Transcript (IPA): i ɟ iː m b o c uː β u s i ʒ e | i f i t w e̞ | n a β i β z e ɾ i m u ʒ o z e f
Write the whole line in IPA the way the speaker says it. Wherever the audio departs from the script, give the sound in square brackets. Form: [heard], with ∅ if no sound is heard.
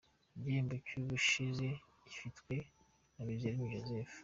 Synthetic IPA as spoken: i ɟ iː m b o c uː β u [ʃ] i [z] e | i f i t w e̞ | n a β i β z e ɾ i m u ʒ o z e f